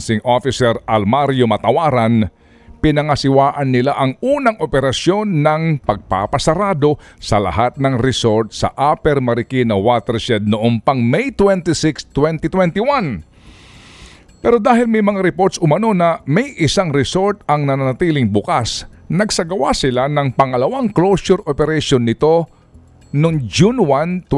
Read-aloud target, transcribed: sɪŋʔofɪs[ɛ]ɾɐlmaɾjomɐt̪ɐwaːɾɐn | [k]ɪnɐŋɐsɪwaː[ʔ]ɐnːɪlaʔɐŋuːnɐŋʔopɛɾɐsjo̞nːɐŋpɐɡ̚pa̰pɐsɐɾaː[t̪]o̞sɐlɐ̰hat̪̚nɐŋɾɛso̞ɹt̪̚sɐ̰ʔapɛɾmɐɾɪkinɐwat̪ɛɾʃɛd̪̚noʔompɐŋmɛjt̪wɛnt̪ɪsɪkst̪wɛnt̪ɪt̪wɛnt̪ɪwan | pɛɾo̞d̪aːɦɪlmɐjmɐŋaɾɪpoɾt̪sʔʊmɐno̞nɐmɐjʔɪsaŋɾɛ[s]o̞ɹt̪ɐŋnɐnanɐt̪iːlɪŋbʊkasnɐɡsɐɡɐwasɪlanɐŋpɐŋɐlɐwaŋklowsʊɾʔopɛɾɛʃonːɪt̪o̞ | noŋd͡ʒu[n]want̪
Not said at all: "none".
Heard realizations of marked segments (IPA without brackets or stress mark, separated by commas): ɛ, p, ʔ, d̪, s, n